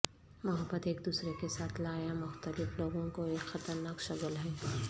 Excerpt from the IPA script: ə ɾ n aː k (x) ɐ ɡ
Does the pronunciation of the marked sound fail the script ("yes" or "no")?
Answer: yes